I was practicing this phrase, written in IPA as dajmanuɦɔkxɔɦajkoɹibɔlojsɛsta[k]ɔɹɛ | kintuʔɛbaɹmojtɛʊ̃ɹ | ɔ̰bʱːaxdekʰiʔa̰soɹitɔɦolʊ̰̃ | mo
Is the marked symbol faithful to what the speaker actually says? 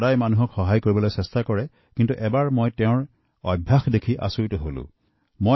yes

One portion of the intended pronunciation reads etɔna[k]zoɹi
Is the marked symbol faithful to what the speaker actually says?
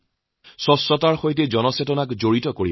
yes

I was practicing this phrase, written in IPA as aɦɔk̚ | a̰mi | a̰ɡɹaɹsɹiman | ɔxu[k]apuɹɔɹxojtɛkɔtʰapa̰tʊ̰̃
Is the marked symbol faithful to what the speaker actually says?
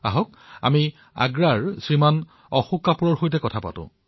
yes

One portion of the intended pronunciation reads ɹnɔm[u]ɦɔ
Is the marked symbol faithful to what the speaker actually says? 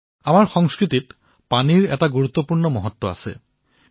no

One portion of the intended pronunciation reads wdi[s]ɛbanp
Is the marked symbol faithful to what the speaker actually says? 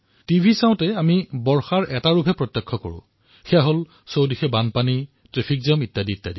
no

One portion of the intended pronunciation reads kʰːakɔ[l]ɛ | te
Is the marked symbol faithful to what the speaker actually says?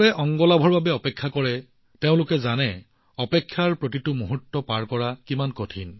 no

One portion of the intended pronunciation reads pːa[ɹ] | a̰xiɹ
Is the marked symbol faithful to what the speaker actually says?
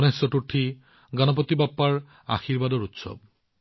yes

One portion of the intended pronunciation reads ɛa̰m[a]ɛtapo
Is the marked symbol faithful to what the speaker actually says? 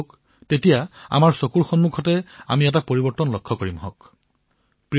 no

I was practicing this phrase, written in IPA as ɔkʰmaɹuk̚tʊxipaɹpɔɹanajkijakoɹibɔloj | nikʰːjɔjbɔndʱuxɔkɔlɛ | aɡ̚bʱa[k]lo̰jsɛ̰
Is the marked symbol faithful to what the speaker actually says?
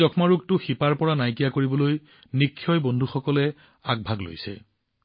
no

